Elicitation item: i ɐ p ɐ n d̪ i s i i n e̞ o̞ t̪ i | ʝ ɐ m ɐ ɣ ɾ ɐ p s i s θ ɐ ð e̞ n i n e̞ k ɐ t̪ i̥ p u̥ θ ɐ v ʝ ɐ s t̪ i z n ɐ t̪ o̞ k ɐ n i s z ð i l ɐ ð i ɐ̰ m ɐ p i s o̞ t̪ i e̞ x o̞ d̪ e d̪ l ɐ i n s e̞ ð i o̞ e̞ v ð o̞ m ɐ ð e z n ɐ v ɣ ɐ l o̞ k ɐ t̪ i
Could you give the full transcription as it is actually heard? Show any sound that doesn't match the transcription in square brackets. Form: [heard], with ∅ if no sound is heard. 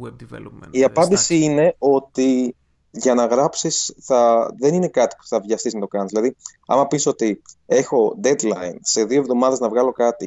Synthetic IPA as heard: i ɐ p ɐ n d̪ i s i i n e̞ o̞ t̪ i | ʝ ɐ [n] ɐ ɣ ɾ ɐ p s i s θ ɐ ð e̞ n i n e̞ k ɐ t̪ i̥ p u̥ θ ɐ v ʝ ɐ s t̪ i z n ɐ t̪ o̞ k ɐ n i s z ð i l ɐ ð i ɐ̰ m ɐ p i s o̞ t̪ i e̞ x o̞ d̪ e d̪ l ɐ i n s e̞ ð i o̞ e̞ v ð o̞ m ɐ ð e z n ɐ v ɣ ɐ l o̞ k ɐ t̪ i